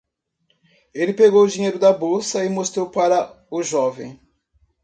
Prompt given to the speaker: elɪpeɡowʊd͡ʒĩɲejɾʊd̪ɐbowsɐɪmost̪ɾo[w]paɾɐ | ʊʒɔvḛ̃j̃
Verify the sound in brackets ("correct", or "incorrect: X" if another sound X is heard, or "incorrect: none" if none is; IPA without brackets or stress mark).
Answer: correct